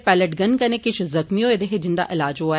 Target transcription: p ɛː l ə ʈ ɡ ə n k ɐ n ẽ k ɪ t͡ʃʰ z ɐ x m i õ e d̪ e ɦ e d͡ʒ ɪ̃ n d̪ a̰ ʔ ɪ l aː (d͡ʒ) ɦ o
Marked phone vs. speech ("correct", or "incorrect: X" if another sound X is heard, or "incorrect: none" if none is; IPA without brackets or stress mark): correct